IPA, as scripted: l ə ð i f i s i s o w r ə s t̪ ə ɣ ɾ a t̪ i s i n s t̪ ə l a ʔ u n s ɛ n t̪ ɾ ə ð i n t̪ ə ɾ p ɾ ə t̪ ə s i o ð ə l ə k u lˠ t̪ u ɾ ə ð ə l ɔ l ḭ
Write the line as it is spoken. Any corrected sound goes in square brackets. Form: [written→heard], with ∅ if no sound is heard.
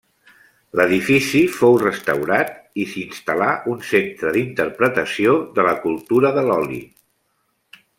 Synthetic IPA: l ə ð i f i s i [s→f] o w r ə s t̪ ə [ɣ→w] ɾ a t̪ i s i n s t̪ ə l a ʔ u n s [ɛ→e] n t̪ ɾ ə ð i n t̪ ə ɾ p ɾ ə t̪ ə s i o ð ə l ə k u lˠ t̪ u ɾ ə ð ə l ɔ l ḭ